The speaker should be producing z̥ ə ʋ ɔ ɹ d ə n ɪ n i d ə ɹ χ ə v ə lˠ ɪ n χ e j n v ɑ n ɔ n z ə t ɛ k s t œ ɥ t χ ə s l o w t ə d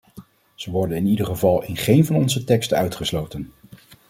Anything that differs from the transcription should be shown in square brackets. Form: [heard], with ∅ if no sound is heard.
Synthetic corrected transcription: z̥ ə ʋ ɔ ɹ d ə n ɪ n i d ə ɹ χ ə v [ɑ] lˠ ɪ n χ e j n v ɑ n ɔ n z ə t ɛ k s t œ ɥ t χ ə s l o w t ə [n]

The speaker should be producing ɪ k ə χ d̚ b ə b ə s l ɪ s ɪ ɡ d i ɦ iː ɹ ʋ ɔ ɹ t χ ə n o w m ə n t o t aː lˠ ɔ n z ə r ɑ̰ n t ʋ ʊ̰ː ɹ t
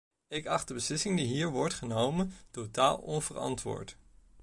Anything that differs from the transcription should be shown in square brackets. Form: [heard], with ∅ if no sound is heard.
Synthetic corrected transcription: ɪ k [ɑ] χ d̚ [d] ə b ə s l ɪ s ɪ [ŋ] d i ɦ iː ɹ ʋ ɔ ɹ t χ ə n o w m ə n t o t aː lˠ ɔ n [v] ə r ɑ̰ n t ʋ ʊ̰ː ɹ t

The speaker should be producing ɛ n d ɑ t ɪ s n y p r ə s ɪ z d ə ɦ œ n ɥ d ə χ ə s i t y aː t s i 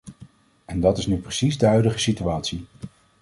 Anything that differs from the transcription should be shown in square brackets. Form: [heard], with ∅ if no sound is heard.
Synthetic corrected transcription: ɛ n d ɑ t ɪ s n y p r ə s [i] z d ə ɦ œ [∅] ɥ d ə χ ə s i t y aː t s i

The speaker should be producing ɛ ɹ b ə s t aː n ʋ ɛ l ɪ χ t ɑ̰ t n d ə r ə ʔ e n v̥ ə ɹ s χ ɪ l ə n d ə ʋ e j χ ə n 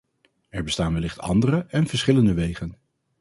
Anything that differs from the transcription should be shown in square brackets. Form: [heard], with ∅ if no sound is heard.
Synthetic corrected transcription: ɛ ɹ b ə s t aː n ʋ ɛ l ɪ χ t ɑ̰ [∅] n d ə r ə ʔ [ɛ] n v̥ ə ɹ s χ ɪ l ə n d ə ʋ e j χ ə n

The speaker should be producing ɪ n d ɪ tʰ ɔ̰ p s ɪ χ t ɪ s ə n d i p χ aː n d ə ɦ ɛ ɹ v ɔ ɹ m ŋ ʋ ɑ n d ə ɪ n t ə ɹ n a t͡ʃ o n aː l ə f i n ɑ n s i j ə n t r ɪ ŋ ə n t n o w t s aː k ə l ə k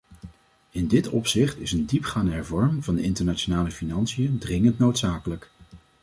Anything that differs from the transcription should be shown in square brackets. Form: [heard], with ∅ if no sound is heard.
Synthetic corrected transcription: ɪ n d ɪ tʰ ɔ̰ p s ɪ χ t ɪ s ə n d i p χ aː n d ə ɦ ɛ ɹ v ɔ ɹ m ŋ [v] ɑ n d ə ɪ n t ə ɹ n a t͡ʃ o n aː l ə f i n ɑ n s i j ə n [d] r ɪ ŋ ə n t n o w t s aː k ə l ə k

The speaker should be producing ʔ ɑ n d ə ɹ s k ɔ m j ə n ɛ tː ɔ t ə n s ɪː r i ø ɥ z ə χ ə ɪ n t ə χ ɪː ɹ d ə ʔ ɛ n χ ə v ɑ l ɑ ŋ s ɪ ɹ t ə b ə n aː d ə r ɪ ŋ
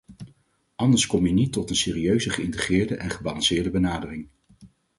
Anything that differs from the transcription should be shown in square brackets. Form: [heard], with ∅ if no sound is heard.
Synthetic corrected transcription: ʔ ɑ n d ə ɹ s k ɔ m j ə n [i] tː ɔ t ə n s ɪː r i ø ɥ z ə χ ə ɪ n t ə χ ɪː ɹ d ə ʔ ɛ n χ ə [b] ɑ l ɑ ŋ s [ɪː] ɹ [d] ə b ə n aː d ə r ɪ ŋ

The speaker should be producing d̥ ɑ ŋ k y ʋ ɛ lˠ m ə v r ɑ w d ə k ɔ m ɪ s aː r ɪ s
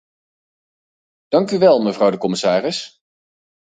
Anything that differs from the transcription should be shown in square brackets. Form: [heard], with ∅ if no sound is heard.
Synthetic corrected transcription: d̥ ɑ ŋ k y ʋ ɛ lˠ m ə v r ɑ w d ə k ɔ m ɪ s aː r ɪ s

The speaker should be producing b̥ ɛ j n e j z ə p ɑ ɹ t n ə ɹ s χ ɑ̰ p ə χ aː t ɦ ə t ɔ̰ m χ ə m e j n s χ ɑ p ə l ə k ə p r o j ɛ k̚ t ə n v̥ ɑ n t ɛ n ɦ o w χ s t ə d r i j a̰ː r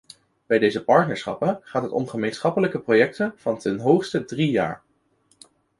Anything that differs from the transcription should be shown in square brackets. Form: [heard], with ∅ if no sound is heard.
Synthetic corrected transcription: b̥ ɛ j [d] e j z ə p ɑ ɹ t n ə ɹ s χ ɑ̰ p ə χ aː t ɦ ə t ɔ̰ m χ ə m e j n s χ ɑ p ə l ə k ə p r o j ɛ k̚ t ə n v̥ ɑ n t ɛ n ɦ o w χ s t ə d r i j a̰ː [ɹ]

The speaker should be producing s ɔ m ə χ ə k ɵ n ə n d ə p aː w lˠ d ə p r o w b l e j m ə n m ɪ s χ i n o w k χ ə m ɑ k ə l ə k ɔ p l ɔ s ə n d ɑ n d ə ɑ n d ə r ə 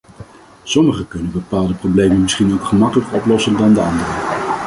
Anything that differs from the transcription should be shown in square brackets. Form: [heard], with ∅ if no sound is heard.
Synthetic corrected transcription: s ɔ m ə χ ə k ɵ n ə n [b] ə p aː [∅] lˠ d ə p r o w b l e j m ə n m ɪ s χ i n o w k χ ə m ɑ k ə l ə k ɔ p l ɔ s ə n d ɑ n d ə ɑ n d ə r ə

